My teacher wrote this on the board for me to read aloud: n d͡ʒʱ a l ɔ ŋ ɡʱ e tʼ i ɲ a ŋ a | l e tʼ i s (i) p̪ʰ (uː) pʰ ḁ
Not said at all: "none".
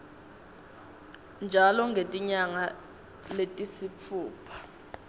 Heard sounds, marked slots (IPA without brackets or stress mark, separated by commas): i, uː